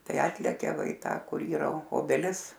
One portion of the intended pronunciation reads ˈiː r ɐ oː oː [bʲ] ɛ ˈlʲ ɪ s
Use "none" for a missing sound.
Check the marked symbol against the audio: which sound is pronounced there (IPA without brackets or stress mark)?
bʲ